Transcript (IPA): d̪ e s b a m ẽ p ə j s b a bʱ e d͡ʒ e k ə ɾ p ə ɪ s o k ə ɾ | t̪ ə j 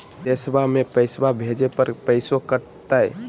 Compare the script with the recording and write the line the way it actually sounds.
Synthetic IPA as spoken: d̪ e s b a m e p ə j s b a bʱ e d͡ʒ e p ə ɾ p ə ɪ s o k ə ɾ | t̪ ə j

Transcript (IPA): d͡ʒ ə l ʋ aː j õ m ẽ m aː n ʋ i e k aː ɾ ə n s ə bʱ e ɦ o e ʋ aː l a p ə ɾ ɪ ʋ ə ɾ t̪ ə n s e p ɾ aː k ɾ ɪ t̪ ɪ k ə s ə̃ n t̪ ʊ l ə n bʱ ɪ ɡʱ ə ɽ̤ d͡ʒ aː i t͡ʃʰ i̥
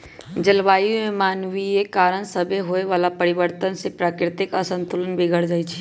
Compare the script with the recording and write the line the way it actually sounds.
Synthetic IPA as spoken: d͡ʒ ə l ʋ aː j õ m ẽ m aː n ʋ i e k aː ɾ ə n s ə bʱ e ɦ o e ʋ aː l a p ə ɾ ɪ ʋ ə ɾ t̪ ə n s e p ɾ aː k ɾ ɪ t̪ ɪ k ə s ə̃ n t̪ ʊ l ə n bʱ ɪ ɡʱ ə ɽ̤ d͡ʒ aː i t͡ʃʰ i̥

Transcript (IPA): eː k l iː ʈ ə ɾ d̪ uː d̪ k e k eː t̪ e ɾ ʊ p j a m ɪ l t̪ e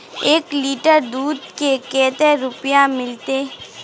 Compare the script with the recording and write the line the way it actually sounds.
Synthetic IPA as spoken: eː k l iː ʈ ə ɾ d̪ uː d̪ k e k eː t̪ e ɾ ʊ p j a m ɪ l t̪ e

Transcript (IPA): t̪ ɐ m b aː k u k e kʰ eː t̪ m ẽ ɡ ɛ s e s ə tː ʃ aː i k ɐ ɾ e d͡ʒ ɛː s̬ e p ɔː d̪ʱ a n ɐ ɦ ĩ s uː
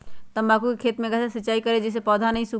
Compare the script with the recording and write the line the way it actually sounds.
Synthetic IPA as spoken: t̪ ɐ m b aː k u k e kʰ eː t̪ m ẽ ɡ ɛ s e s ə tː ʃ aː i k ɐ ɾ e d͡ʒ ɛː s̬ e p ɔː d̪ʱ a n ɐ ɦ ĩ s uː

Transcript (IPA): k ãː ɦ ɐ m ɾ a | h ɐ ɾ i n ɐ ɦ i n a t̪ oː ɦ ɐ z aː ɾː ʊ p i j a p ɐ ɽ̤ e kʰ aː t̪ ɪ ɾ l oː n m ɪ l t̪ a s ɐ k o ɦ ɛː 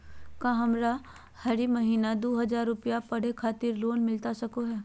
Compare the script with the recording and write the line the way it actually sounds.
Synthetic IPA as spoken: k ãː ɦ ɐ m ɾ a | h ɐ ɾ i m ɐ ɦ iː n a d̪ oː ɦ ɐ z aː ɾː ʊ p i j a p ɐ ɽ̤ e kʰ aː t̪ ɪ ɾ l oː n m ɪ l t̪ a s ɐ k o ɦ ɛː

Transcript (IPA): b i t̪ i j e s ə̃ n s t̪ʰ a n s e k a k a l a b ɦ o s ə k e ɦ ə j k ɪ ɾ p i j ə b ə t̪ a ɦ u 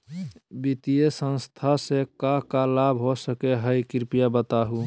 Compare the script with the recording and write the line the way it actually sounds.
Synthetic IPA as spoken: b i t̪ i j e s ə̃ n s t̪ʰ a s e k a k a l a b ɦ o s ə k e ɦ ə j k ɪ ɾ p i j a b ə t̪ a ɦ u

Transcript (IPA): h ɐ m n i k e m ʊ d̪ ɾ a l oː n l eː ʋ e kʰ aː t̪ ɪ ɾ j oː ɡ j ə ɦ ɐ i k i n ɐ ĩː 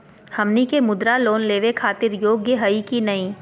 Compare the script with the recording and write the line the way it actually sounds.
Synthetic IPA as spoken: h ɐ m n i k e m ʊ d̪ ɾ a l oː n l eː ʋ e kʰ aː t̪ ɪ ɾ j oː ɡ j ə ɦ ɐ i k i n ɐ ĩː

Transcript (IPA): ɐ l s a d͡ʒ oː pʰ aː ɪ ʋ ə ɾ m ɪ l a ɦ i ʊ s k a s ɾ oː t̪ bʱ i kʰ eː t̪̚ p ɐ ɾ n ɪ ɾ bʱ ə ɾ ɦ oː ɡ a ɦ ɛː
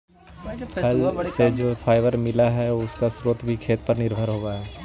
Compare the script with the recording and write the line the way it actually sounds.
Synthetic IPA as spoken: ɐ l s e d͡ʒ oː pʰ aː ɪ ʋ ə ɾ m ɪ l a ɦ ɛ ʊ s k a s ɾ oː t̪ bʱ i kʰ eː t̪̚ p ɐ ɾ n ɪ ɾ bʱ ə ɾ ɦ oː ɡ a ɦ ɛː

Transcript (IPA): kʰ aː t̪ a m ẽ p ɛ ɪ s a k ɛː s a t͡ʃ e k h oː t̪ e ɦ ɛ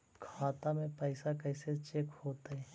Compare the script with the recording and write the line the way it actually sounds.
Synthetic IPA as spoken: kʰ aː t̪ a m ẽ p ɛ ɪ s a k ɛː s e t͡ʃ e k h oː t̪ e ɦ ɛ

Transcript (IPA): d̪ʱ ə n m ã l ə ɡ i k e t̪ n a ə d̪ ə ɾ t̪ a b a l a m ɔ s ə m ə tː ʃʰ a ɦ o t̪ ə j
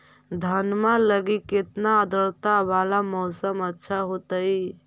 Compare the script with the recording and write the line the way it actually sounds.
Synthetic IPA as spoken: d̪ʱ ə n m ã l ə ɡ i k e t̪ n a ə d̪ ə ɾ t̪ a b a l a m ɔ s ə m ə tː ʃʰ a ɦ o t̪ ə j

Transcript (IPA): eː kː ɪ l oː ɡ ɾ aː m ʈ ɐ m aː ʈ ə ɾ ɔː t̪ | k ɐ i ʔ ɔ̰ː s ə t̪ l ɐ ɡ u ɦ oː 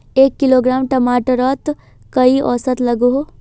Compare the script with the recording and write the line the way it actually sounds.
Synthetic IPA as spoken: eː kː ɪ l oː ɡ ɾ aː m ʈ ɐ m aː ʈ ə ɾ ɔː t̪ | k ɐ i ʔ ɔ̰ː s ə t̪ l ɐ ɡ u ɦ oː

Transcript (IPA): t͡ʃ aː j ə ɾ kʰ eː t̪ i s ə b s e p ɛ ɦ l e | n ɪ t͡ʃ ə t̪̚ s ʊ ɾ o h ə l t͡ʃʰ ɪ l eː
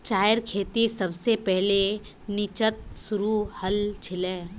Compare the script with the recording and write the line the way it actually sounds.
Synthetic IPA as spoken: t͡ʃ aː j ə ɾ kʰ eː t̪ i s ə b s e p ɛ ɦ l e | n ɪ t͡ʃ ə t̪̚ s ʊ ɾ u h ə l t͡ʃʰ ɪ l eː

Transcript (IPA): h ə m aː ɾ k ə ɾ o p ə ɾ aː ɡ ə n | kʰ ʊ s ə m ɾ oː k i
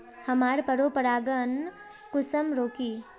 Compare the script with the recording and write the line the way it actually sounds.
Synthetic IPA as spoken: h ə m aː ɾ p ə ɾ o p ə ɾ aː ɡ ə n | k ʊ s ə m ɾ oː k i

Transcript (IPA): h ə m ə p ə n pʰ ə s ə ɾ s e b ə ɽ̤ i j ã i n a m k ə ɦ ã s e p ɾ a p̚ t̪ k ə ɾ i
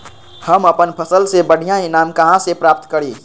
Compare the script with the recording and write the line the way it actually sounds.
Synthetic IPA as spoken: h ə m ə p ə n pʰ ə s ə l s e b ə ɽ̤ i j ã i n a m k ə ɦ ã s e p ɾ a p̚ t̪ k ə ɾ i

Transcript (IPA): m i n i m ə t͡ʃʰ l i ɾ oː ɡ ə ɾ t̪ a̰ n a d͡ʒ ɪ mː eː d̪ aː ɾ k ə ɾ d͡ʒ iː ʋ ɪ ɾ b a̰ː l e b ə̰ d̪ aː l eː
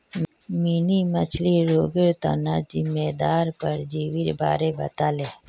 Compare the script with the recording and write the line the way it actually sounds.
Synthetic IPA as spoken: m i n i m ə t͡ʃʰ l i ɾ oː ɡ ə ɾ t̪ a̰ n a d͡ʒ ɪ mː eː d̪ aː ɾ p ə ɾ d͡ʒ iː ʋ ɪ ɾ b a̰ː ɾ e b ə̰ t̪ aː l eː

